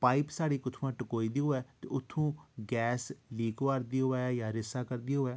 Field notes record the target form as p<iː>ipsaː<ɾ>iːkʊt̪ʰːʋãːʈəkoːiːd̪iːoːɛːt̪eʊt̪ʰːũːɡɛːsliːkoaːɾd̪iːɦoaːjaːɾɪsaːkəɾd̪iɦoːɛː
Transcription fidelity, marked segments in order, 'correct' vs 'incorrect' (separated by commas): incorrect, incorrect